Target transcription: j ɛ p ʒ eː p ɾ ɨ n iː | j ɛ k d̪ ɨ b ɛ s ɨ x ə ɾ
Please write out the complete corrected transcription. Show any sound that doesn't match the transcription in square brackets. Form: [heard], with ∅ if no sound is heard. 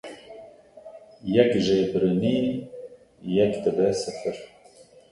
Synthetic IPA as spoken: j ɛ [k] ʒ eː [b] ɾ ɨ n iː | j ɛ k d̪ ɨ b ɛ s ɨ [f] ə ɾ